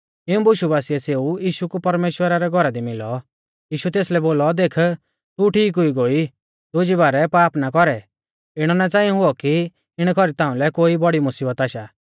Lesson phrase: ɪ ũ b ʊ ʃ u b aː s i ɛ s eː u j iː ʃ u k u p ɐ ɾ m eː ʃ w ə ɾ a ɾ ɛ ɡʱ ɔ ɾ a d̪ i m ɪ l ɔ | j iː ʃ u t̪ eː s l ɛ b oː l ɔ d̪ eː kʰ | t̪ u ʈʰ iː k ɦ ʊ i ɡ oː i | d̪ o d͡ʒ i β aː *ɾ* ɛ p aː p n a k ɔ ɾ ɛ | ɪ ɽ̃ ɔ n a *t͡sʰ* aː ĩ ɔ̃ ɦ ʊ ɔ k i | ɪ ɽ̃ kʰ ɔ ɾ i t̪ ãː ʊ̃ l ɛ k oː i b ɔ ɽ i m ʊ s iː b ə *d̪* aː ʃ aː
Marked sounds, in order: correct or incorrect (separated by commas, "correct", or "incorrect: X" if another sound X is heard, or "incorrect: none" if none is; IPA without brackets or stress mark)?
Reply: correct, incorrect: t͡s, incorrect: t̪